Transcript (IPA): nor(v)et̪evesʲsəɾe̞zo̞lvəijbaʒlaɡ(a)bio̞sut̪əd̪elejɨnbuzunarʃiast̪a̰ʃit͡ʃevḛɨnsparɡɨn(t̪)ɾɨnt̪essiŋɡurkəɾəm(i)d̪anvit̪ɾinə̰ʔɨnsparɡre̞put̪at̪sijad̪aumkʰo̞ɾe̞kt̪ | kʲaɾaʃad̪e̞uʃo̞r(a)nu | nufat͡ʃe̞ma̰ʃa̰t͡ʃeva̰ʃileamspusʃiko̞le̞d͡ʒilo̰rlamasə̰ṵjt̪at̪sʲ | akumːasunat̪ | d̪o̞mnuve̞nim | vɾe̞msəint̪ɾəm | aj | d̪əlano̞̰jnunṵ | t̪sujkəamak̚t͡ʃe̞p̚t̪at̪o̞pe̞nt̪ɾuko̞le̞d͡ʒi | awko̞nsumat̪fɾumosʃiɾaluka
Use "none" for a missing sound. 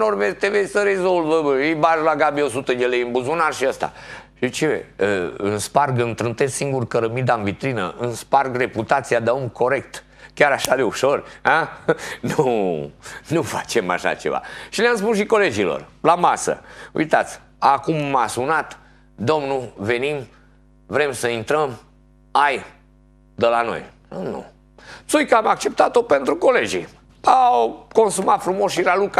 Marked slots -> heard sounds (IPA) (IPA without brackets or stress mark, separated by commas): v, a, t̪, i, a